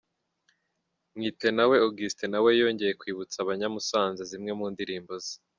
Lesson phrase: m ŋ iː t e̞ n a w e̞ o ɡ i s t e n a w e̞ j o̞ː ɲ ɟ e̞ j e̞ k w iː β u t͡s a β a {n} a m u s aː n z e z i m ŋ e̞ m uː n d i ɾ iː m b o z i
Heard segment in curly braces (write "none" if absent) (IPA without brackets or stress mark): ɲ